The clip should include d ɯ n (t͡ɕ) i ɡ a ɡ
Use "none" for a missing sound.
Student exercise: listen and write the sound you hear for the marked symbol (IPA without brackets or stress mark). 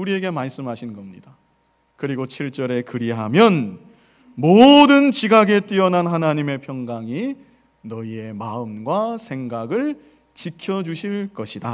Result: t͡ɕ